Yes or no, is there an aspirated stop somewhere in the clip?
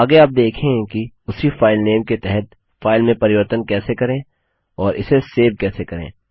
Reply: yes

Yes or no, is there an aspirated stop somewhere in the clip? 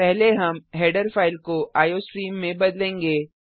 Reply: no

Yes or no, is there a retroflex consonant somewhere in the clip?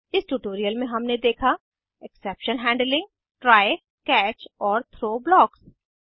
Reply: yes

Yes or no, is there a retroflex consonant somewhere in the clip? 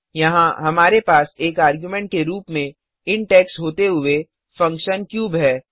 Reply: yes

